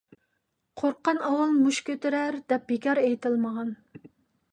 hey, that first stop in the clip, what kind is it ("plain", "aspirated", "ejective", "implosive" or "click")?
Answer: aspirated